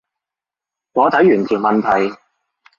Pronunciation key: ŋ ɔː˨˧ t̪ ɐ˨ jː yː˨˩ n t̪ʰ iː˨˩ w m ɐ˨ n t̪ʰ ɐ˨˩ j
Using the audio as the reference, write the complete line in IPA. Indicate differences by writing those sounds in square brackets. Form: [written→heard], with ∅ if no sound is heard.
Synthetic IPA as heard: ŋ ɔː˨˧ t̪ [ɐ˨→ɐ˨˥] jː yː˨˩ n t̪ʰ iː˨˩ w m ɐ˨ n t̪ʰ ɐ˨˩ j